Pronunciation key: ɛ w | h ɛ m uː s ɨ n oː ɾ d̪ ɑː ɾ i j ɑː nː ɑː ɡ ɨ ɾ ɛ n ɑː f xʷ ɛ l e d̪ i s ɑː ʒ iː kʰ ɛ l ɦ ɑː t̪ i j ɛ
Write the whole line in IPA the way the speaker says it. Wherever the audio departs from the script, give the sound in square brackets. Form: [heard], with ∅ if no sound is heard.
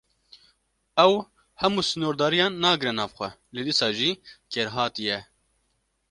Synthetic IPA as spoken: ɛ w | h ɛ m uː s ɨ n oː ɾ d̪ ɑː ɾ i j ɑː nː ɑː ɡ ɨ ɾ ɛ n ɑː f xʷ ɛ l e d̪ i s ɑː ʒ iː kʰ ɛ [ɾ] ɦ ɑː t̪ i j ɛ